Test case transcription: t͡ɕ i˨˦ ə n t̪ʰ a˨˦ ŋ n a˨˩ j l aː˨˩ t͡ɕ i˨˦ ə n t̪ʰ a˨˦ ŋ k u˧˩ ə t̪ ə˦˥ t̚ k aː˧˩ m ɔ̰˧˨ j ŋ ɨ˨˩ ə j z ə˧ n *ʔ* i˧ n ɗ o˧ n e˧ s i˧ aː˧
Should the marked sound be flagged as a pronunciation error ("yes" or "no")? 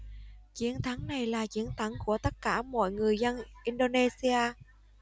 no